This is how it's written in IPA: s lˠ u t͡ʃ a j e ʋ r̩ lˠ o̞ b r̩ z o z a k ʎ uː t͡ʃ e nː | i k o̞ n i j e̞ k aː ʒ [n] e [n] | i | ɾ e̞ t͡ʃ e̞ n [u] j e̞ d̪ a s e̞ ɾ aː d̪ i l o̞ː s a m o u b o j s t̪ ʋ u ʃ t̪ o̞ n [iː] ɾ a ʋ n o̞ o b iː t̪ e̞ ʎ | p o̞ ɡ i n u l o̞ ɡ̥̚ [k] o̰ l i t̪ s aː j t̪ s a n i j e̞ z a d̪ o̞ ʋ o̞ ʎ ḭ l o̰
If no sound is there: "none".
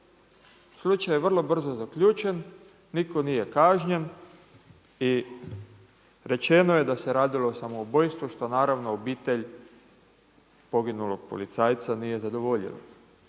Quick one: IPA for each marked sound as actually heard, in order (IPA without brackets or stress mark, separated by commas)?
ɲ, n, o, aː, p